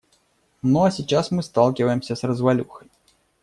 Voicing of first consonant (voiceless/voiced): voiced